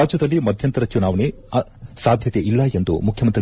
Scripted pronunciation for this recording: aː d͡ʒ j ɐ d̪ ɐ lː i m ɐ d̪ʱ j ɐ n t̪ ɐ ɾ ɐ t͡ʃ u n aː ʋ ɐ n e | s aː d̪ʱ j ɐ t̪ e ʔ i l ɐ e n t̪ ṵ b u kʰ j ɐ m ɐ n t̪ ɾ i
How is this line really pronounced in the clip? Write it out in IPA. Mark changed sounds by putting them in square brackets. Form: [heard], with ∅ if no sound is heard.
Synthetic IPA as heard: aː d͡ʒ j ɐ d̪ ɐ lː i m ɐ d̪ʱ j ɐ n t̪ ɐ ɾ ɐ t͡ʃ u n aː ʋ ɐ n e | s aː d̪ʱ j ɐ t̪ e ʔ i [lː] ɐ e n [d̪] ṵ [m] u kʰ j ɐ m ɐ n t̪ ɾ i